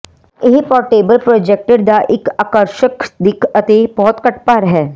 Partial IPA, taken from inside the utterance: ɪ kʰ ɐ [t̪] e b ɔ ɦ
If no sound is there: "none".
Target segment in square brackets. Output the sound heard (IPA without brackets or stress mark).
t̪